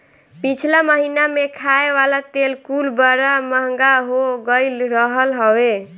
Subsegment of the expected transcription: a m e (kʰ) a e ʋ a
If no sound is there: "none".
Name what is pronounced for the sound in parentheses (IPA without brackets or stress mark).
kʰ